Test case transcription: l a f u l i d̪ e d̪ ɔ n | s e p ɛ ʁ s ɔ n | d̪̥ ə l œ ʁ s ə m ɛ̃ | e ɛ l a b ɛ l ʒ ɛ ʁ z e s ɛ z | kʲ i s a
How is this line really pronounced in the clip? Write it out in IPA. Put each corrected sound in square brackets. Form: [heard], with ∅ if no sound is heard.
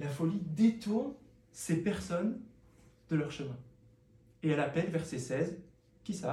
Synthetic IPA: l a f [ɔ] l i d̪ e [t̪] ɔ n | s e p ɛ ʁ s ɔ n | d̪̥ ə l œ ʁ [ʃ] ə m ɛ̃ | e ɛ l a [p] ɛ l [v] ɛ ʁ [s] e s ɛ z | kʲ i s a